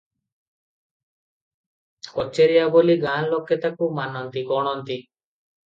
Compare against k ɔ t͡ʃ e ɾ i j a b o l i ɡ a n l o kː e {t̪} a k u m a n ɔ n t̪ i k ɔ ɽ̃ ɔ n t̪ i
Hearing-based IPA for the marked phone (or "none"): t̪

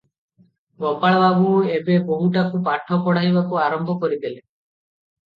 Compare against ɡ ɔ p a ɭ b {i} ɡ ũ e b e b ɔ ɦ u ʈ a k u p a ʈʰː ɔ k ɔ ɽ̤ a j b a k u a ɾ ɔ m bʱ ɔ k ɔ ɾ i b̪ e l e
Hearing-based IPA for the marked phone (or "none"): a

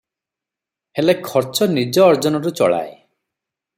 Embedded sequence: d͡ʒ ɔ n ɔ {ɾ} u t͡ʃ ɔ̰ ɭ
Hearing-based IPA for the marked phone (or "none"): ɾ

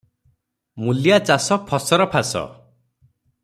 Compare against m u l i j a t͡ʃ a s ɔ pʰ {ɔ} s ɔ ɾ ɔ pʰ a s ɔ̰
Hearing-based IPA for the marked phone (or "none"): ɔ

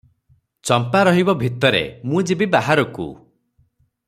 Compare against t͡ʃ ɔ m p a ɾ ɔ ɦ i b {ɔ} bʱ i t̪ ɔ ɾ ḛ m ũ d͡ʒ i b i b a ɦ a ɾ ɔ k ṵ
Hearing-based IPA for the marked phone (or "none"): ɔ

